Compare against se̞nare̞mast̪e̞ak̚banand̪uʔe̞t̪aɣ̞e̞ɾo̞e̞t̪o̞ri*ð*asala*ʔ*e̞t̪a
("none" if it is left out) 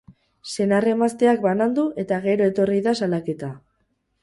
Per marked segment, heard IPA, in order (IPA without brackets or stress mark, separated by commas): ð, k